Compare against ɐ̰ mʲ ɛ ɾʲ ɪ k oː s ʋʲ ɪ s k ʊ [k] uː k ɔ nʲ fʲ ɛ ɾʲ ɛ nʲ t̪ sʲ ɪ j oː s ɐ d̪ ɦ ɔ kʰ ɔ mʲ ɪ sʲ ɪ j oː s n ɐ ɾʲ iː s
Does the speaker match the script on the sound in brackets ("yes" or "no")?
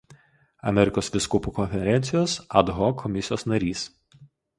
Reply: no